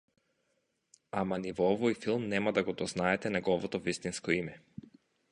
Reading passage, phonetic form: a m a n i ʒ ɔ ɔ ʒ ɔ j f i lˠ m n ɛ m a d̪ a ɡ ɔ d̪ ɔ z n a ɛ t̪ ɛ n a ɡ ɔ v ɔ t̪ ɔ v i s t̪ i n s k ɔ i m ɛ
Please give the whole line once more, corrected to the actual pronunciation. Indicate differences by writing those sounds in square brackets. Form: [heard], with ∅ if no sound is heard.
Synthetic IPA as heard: a m a n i [v] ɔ ɔ [v] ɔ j f i lˠ m n ɛ m a d̪ a ɡ ɔ d̪ ɔ z n a ɛ t̪ ɛ n a ɡ ɔ v ɔ t̪ ɔ v i s t̪ i n s k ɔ i m ɛ